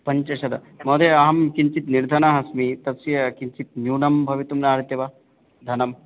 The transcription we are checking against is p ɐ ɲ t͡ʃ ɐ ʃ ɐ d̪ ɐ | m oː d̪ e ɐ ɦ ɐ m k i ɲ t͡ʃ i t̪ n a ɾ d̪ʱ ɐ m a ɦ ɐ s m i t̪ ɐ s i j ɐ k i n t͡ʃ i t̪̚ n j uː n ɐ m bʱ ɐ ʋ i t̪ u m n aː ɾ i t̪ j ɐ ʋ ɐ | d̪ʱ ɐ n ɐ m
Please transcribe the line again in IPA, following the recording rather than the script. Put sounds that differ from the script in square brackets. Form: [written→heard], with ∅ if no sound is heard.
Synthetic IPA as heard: p ɐ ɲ t͡ʃ ɐ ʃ ɐ d̪ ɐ | m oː d̪ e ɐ ɦ ɐ m k i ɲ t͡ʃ i t̪ n [a→i] ɾ d̪ʱ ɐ [m→n] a ɦ ɐ s m i t̪ ɐ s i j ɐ k i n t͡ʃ i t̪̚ n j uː n ɐ m bʱ ɐ ʋ i t̪ u m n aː ɾ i t̪ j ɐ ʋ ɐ | d̪ʱ ɐ n ɐ m